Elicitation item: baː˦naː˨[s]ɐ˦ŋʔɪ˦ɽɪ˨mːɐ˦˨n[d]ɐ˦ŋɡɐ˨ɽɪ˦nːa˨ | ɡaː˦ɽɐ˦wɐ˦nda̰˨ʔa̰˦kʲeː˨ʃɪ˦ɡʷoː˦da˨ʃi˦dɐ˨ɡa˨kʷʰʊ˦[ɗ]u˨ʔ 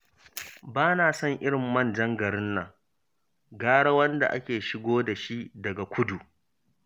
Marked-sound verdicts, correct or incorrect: correct, incorrect, incorrect

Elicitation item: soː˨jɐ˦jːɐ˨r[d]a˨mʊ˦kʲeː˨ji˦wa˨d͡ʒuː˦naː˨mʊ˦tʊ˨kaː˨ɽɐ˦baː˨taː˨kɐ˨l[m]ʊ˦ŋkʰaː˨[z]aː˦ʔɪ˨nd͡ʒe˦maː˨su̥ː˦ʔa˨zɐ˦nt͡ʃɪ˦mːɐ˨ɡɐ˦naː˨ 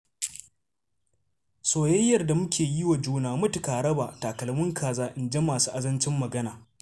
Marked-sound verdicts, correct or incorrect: correct, correct, correct

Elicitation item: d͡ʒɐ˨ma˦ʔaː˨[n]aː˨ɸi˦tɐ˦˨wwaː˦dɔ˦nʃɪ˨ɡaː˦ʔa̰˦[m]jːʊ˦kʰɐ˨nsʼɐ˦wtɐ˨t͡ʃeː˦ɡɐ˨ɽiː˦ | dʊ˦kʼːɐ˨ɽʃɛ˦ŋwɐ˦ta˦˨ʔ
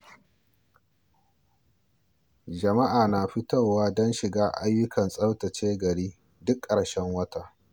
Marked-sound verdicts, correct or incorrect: correct, incorrect

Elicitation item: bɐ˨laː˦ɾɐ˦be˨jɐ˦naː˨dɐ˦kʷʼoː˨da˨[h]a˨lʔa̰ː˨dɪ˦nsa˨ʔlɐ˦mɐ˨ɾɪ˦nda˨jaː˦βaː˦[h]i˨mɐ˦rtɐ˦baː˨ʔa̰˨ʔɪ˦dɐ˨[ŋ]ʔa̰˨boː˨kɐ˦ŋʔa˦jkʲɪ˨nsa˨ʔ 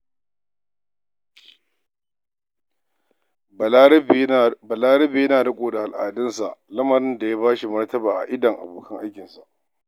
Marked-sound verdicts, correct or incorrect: correct, incorrect, correct

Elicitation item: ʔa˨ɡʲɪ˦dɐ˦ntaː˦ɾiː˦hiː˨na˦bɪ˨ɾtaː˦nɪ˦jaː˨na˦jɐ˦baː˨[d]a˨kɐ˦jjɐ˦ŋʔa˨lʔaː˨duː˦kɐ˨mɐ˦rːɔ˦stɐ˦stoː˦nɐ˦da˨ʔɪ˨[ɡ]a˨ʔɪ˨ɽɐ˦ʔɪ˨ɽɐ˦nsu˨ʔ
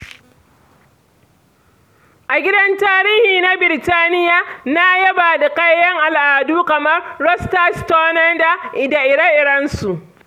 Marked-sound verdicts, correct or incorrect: correct, incorrect

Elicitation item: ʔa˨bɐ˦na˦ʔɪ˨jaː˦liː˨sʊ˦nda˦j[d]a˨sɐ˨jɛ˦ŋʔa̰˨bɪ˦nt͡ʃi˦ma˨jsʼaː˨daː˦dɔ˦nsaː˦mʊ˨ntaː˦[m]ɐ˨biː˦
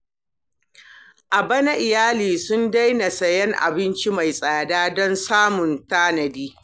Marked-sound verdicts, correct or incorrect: incorrect, incorrect

